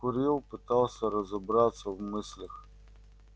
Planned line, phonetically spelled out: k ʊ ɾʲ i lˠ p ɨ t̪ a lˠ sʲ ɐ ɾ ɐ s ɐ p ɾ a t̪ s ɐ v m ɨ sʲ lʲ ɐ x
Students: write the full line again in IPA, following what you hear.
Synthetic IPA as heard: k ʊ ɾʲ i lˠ p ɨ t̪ a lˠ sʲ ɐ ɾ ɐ z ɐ b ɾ a t̪ s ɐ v m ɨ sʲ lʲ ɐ x